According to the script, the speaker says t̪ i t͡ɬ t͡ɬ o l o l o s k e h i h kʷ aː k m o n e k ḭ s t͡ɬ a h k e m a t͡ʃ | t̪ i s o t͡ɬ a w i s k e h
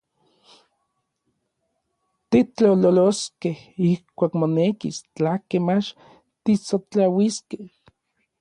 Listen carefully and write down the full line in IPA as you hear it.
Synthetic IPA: t̪ i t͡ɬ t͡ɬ o l o l o s k e h i h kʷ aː k m o n e k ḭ s t͡ɬ a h k e m a t͡ʃ | t̪ i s o t͡ɬ a w i s k e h